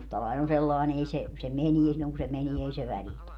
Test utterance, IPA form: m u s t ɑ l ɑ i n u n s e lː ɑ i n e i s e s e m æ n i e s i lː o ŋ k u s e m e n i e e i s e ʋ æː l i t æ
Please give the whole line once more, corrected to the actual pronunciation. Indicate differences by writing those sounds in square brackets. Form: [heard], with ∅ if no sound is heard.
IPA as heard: m u s t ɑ l ɑ i n [o] n s e lː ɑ i n e i s e s e m [e] n i e s i lː o ŋ k u s e m e n i e e i s e ʋ [æ] l i t æ